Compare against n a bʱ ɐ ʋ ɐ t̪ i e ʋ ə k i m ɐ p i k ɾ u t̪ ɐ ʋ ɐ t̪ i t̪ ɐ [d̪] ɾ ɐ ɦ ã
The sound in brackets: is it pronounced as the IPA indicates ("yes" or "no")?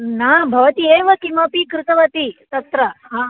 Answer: no